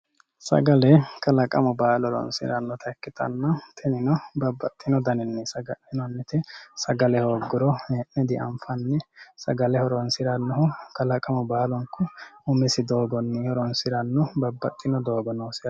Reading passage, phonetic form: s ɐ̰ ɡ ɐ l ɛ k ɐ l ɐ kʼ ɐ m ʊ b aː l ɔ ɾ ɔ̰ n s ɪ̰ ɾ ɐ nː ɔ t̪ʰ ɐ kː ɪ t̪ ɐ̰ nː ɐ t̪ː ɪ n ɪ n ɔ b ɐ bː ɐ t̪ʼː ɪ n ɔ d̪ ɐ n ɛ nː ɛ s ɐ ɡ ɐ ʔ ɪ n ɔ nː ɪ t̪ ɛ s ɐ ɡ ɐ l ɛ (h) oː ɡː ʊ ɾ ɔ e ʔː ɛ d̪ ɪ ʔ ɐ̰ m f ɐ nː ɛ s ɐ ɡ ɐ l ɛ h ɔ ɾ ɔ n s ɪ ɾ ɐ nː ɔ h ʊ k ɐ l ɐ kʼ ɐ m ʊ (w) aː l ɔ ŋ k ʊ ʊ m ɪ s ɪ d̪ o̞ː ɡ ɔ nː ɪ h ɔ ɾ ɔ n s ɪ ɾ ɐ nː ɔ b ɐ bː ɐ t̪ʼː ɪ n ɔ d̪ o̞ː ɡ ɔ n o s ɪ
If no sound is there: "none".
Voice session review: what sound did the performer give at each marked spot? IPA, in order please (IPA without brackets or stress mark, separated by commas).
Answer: h, b